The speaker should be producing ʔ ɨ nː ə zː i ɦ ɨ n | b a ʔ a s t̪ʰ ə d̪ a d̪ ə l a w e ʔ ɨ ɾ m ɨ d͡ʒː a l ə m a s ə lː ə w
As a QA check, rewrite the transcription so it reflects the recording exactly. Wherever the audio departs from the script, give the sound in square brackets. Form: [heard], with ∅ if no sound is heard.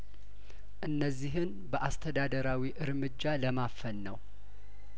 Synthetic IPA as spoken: ʔ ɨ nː ə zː i ɦ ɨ n | b [ə] ʔ a s t̪ʰ ə d̪ a d̪ ə [ɾ] a w [i] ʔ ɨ ɾ m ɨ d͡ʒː a l ə m a [f] ə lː ə w